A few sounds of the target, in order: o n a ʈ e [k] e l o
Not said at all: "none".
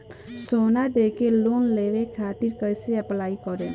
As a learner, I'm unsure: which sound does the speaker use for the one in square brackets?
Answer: k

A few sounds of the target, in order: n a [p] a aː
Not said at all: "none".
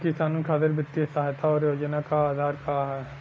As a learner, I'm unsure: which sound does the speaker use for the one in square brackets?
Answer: k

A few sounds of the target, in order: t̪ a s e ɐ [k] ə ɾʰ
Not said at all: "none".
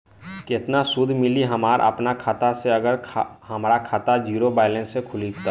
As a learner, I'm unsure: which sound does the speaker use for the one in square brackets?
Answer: ɡ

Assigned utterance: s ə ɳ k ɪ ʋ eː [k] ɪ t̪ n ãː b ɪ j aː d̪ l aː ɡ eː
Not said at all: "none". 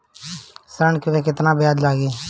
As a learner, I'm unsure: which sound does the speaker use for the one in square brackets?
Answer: k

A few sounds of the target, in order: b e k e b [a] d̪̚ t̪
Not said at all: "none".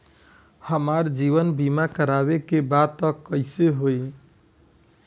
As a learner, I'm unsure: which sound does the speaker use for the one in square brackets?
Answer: a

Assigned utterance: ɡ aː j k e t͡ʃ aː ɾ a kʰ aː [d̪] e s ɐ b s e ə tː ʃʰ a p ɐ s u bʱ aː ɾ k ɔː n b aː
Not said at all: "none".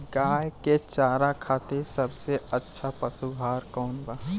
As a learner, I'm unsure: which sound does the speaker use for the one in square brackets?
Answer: t̪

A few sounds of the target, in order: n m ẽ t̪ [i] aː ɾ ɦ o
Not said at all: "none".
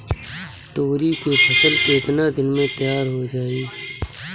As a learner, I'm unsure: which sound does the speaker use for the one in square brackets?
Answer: j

